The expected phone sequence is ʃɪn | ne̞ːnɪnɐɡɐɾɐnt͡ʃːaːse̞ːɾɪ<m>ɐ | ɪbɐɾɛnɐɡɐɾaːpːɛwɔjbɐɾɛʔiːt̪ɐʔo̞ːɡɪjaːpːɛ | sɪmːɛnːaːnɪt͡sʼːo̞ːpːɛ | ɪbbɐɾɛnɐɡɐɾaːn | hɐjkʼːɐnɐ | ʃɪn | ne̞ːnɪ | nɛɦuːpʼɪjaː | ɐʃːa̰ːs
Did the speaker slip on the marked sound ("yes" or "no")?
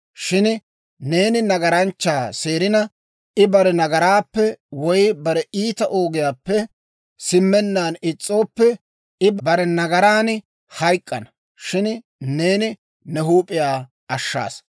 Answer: yes